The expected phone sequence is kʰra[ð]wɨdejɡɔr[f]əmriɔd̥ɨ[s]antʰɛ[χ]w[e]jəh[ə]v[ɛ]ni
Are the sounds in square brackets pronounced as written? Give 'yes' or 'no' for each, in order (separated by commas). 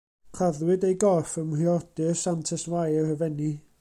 yes, yes, yes, no, no, yes, yes